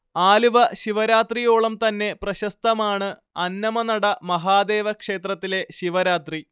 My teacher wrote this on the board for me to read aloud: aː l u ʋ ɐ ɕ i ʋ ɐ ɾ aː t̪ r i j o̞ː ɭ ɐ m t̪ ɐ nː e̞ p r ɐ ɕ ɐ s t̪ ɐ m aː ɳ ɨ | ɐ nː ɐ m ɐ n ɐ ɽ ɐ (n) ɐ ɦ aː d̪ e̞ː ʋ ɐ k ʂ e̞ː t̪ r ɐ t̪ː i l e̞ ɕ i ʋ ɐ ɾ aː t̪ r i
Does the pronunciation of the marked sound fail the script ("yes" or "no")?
yes